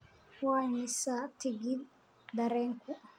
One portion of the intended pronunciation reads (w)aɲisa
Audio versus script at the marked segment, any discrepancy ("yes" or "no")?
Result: no